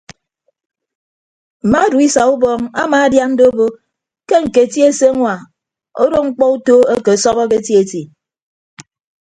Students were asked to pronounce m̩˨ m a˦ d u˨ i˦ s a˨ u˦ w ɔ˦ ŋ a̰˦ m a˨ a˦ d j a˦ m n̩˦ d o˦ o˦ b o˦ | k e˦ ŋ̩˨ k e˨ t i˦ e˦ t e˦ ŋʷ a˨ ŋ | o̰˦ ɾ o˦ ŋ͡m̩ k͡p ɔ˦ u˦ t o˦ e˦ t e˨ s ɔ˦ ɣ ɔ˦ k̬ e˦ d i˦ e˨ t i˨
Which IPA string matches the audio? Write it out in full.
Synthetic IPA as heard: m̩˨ m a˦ d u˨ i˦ s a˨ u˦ b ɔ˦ ŋ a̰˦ m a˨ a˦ d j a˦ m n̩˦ d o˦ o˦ b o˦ | k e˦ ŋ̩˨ k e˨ t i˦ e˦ s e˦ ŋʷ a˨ | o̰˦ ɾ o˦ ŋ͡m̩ k͡p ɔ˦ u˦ t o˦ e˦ k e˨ s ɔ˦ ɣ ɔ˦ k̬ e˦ t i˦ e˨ t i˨